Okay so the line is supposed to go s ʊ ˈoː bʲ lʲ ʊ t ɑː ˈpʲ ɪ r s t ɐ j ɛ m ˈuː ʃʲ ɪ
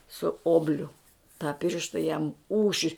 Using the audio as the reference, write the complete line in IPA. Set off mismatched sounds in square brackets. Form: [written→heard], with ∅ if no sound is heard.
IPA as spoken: s ʊ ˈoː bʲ lʲ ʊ t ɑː ˈpʲ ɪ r [s→ʃ] t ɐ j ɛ m ˈuː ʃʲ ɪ

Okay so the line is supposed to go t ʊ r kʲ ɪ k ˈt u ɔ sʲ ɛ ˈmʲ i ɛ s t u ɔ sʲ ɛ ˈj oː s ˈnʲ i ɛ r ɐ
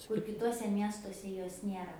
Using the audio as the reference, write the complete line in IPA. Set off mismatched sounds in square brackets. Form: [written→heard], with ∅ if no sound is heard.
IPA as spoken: [t→k] ʊ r kʲ ɪ [k→∅] ˈt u ɔ sʲ ɛ ˈmʲ i ɛ s t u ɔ sʲ ɛ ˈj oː s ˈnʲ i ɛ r ɐ

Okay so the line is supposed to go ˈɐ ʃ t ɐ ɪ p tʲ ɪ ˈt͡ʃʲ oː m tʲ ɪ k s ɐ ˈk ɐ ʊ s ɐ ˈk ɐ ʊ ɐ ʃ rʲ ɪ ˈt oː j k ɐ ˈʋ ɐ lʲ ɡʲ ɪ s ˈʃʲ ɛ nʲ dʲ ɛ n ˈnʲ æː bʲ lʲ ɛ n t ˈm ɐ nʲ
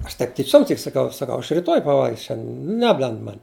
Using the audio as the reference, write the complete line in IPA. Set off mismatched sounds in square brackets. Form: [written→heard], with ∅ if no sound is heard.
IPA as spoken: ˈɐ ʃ t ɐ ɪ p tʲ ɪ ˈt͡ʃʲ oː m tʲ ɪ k s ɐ ˈk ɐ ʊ s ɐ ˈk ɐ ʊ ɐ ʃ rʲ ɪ ˈt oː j [k→p] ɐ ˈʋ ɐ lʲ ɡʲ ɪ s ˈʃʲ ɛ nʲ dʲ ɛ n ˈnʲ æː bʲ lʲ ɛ n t ˈm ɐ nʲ

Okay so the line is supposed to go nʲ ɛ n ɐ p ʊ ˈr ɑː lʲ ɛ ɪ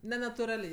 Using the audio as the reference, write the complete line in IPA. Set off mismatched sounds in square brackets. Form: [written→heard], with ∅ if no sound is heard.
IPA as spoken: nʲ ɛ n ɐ [p→t] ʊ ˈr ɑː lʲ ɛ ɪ

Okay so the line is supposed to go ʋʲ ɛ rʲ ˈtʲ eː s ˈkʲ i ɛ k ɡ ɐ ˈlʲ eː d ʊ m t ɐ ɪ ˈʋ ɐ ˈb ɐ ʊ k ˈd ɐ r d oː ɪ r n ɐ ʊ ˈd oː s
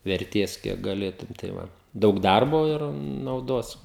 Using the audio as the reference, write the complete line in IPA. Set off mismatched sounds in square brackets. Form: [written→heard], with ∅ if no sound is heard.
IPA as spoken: ʋʲ ɛ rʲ ˈtʲ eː s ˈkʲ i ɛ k ɡ ɐ ˈlʲ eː [d→t] ʊ m t ɐ ɪ ˈʋ ɐ [ˈb→ˈd] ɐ ʊ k ˈd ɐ r [d→b] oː ɪ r n ɐ ʊ ˈd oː s

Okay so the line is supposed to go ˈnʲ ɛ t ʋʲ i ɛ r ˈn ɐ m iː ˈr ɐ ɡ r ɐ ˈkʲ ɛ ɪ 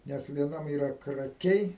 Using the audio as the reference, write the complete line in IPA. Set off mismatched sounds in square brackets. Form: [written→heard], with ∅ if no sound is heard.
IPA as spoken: ˈnʲ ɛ [t→s] ʋʲ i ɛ [r→∅] ˈn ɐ m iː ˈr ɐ [ɡ→k] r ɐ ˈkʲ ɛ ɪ

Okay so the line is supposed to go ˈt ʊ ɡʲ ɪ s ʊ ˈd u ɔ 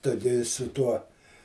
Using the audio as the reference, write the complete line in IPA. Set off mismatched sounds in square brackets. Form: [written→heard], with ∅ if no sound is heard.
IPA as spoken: ˈt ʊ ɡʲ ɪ s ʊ [ˈd→ˈt] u ɔ

